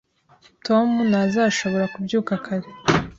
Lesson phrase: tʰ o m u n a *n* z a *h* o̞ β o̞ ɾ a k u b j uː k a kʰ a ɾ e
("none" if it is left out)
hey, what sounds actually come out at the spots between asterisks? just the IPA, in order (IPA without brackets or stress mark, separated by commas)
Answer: none, ʃ